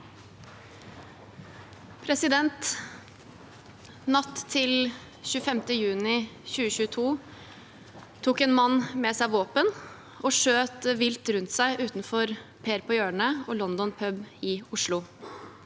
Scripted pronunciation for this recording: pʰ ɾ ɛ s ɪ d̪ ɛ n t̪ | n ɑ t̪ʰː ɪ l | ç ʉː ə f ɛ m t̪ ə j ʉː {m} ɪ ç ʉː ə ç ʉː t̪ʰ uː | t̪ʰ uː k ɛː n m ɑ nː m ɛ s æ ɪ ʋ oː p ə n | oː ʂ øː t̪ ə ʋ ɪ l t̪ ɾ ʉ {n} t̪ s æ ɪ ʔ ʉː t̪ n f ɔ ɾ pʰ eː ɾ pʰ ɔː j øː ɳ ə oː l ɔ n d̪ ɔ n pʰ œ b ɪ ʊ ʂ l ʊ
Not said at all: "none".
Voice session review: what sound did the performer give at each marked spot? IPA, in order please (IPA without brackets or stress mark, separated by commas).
n, n